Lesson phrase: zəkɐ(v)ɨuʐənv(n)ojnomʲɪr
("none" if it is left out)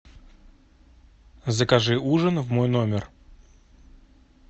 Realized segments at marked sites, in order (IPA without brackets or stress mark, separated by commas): ʐ, m